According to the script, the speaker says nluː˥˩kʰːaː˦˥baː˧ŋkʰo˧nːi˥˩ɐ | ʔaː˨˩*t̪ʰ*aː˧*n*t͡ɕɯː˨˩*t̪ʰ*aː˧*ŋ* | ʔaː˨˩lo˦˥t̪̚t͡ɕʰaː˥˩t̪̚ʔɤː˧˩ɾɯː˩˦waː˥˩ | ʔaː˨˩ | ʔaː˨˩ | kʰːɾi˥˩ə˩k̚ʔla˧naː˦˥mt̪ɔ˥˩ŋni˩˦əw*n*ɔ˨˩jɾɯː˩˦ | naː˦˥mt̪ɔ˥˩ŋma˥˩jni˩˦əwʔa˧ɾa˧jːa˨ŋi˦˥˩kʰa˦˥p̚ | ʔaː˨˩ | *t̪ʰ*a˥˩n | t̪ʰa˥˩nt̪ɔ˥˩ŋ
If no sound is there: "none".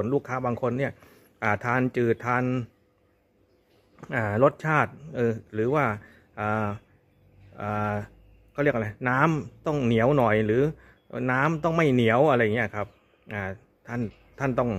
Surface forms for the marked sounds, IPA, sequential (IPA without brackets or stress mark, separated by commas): t̪ʰ, n, t̪ʰ, n, n, t̪ʰ